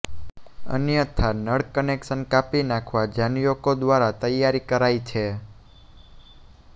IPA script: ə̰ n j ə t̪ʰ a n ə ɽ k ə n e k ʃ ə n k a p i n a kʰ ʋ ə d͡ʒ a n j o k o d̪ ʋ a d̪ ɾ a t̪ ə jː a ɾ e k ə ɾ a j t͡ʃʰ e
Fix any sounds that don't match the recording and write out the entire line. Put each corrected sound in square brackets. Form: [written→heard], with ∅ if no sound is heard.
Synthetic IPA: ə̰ n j ə t̪ʰ a n ə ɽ k ə n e k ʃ ə n k a p i n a kʰ ʋ [ə→a] d͡ʒ a n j o k o d̪ ʋ a [d̪→∅] ɾ a t̪ ə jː a ɾ [e→i] k ə ɾ a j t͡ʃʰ e